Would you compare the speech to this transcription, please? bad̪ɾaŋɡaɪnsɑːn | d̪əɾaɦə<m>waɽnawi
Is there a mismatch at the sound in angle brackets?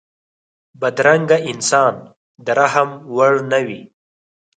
no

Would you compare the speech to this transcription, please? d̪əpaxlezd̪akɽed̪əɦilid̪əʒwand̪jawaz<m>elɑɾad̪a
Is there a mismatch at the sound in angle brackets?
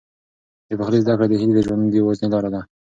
yes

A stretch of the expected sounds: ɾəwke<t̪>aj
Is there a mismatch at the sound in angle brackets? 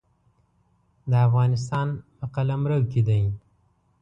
yes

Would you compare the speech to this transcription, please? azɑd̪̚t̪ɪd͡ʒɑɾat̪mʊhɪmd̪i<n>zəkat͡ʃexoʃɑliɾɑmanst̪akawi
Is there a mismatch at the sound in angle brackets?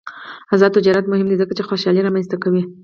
yes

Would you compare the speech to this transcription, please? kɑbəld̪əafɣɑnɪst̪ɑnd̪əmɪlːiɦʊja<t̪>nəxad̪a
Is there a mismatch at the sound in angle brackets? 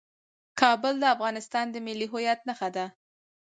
no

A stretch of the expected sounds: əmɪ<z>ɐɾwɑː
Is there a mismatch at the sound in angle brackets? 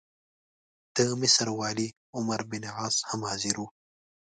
yes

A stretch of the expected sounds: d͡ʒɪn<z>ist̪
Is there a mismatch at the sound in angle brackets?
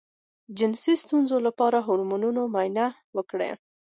yes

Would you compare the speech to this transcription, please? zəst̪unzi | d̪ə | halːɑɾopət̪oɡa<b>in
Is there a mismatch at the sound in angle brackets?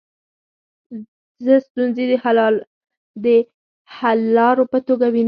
yes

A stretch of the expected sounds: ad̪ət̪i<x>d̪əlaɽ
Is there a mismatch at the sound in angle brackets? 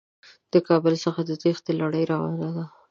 no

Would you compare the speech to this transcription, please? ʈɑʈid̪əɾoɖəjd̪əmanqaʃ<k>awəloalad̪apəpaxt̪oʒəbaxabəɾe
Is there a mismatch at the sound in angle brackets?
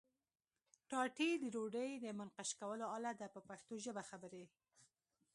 no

